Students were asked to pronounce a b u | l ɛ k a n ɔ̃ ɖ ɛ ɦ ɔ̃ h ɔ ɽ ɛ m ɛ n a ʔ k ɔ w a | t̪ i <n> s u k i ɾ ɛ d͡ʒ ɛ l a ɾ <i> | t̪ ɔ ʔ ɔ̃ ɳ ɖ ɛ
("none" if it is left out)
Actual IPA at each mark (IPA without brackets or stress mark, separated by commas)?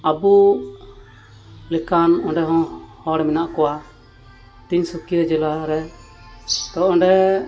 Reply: ɲ, ɛ